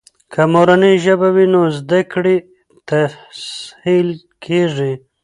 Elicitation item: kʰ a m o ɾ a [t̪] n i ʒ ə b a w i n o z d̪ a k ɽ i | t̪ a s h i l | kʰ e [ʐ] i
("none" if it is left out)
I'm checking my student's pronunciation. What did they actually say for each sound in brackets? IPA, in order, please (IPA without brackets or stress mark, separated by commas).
none, ʐ